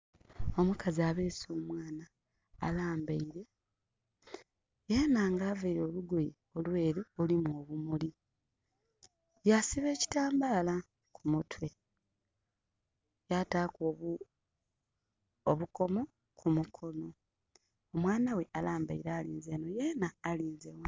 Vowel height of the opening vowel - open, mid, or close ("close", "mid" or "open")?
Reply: mid